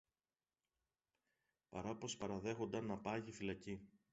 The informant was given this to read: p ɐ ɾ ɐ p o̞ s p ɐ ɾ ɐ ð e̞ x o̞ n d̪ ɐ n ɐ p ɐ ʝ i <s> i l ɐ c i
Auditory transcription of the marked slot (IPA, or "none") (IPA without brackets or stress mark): f